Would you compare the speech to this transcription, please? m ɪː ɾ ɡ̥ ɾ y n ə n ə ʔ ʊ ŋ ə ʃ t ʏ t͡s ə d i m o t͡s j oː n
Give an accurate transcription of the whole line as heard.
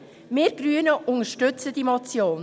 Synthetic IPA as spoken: m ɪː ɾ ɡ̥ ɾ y ə n ə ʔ ʊ ŋ ə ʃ t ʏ t͡s ə d i m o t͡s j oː n